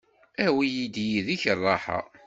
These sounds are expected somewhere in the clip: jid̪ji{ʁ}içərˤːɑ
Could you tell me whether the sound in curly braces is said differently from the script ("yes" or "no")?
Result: yes